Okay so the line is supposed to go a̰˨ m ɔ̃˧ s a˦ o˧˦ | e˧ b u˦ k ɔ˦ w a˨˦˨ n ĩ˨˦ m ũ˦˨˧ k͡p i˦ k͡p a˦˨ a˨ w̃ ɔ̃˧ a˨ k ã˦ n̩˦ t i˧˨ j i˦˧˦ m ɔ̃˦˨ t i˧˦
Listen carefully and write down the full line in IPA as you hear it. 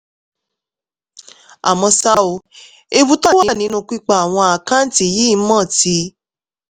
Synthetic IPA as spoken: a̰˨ m ɔ̃˧ s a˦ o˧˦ | e˧ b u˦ t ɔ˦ w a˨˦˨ n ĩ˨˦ n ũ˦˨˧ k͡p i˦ k͡p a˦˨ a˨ w̃ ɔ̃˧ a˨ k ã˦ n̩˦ t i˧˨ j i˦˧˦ m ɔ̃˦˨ t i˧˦